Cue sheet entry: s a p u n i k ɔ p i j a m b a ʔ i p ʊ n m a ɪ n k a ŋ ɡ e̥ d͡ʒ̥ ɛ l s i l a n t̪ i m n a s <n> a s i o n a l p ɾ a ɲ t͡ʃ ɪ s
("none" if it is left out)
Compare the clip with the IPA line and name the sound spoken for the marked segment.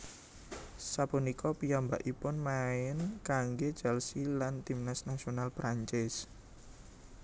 n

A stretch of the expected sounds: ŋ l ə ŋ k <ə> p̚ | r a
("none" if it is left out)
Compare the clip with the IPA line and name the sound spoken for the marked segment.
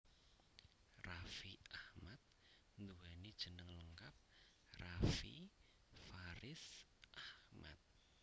a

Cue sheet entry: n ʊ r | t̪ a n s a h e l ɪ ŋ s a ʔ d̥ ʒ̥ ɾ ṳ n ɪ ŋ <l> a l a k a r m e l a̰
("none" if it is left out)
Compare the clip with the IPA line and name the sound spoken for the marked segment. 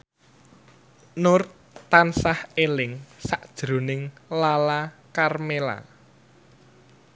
l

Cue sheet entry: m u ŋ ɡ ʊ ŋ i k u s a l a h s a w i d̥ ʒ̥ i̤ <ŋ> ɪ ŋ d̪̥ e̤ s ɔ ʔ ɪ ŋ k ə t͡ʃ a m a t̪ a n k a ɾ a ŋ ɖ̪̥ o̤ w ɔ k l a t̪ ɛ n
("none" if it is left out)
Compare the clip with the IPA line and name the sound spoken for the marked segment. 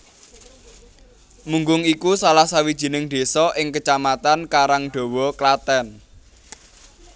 n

